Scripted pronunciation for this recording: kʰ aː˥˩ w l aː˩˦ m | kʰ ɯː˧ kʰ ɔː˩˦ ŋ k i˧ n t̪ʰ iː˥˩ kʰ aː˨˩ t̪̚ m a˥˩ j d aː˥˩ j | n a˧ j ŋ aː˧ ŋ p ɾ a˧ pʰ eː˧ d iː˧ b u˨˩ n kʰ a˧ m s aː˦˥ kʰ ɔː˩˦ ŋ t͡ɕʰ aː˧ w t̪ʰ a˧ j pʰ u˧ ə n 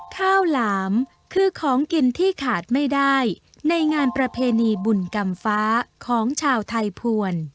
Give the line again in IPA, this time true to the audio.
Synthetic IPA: kʰ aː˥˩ w l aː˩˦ m | kʰ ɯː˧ kʰ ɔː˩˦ ŋ k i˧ n t̪ʰ iː˥˩ kʰ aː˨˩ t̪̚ m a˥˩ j d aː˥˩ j | n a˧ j ŋ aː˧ n p ɾ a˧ pʰ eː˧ n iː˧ b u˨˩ n k a˧ m f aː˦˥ kʰ ɔː˩˦ ŋ t͡ɕʰ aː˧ w t̪ʰ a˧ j pʰ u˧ ə n

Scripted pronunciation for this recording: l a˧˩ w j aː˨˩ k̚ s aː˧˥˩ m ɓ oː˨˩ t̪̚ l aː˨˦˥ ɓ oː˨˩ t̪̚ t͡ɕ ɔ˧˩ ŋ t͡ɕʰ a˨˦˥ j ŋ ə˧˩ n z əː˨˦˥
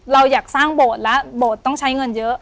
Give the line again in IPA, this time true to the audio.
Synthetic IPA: l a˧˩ w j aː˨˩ k̚ s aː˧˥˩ ŋ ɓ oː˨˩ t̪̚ l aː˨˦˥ ɓ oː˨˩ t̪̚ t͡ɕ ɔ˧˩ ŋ t͡ɕʰ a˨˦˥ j ŋ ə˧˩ n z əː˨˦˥

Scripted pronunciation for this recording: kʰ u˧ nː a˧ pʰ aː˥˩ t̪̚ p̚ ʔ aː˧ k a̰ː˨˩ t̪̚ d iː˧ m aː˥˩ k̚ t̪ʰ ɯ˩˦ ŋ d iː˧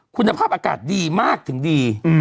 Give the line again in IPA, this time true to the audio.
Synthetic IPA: kʰ u˧ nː a˧ pʰ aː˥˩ p̚ ʔ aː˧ k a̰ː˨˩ t̪̚ d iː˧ m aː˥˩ k̚ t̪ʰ ɯ˩˦ ŋ d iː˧

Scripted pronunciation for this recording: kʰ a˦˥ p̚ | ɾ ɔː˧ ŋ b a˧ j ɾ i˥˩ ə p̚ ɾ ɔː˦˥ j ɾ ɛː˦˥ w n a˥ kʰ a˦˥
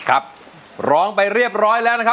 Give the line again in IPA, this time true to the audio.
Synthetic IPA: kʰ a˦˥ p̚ | ɾ ɔː˦˥ ŋ p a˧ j ɾ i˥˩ ə p̚ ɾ ɔː˦˥ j l ɛː˦˥ w n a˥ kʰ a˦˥

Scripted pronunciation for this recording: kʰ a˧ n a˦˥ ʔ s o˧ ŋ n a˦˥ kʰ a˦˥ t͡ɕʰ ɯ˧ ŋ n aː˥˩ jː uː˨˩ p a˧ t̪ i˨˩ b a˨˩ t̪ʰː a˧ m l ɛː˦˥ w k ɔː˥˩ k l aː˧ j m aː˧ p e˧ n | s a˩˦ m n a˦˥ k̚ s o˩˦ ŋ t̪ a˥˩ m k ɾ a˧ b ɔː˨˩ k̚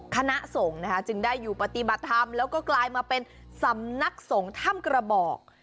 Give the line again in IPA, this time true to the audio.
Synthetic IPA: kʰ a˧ n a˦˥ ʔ s o˩˦ ŋ n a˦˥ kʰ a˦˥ t͡ɕ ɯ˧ ŋ d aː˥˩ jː uː˨˩ p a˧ t̪ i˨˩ b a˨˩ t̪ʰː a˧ m l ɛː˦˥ w k ɔː˥˩ k l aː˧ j m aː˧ p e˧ n | s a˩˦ m n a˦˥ k̚ s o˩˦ ŋ t̪ʰ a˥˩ m k ɾ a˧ b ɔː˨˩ k̚

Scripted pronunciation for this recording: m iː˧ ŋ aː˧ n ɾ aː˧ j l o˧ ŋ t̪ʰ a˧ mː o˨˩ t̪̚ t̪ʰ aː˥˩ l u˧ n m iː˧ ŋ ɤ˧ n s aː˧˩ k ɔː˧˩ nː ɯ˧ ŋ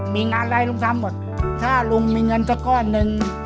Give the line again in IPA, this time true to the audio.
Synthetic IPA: m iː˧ ŋ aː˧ n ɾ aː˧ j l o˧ ŋ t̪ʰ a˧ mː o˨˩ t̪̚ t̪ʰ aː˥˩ l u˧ ŋ m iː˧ ŋ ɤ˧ n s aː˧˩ k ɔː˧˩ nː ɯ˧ ŋ

